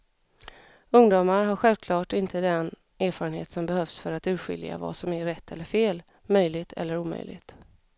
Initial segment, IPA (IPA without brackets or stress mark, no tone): ɵ